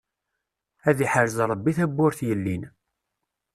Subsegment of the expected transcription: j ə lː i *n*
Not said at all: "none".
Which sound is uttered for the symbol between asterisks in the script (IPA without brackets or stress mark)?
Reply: n